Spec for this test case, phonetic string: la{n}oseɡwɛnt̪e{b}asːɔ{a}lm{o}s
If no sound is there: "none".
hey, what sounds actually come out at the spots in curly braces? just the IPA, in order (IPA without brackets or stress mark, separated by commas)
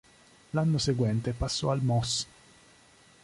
nː, p, a, ɔ